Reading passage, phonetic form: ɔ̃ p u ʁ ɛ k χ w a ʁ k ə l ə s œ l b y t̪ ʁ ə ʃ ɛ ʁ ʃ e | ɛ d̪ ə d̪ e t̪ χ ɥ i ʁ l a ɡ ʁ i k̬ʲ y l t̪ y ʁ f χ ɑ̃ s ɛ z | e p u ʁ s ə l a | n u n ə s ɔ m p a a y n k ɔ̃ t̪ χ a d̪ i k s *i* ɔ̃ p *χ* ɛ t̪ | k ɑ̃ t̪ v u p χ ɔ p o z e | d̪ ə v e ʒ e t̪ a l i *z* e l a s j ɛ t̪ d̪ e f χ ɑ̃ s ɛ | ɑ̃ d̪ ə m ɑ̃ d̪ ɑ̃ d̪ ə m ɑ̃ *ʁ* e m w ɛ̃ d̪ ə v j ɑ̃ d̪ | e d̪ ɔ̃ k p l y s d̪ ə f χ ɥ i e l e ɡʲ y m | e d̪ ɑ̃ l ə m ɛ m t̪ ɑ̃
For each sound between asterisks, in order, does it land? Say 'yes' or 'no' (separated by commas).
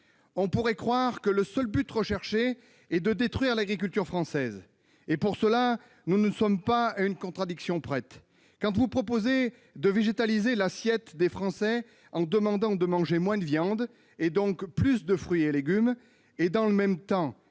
no, yes, yes, no